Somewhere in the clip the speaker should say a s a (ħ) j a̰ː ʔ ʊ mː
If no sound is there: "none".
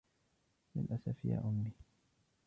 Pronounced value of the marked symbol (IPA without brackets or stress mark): f